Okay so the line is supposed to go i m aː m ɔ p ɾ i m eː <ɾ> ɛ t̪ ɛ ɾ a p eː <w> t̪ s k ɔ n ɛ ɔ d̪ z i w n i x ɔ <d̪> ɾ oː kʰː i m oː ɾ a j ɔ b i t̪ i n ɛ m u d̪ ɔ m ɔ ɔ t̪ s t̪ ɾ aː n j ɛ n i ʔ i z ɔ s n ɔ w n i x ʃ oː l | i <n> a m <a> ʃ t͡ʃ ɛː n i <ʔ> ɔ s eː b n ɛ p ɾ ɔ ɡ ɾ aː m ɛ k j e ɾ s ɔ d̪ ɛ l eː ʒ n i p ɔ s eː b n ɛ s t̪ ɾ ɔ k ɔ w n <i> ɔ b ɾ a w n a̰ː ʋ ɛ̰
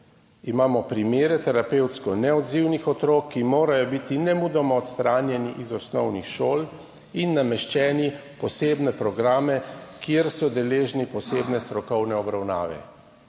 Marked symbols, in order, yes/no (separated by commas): yes, yes, no, no, no, no, no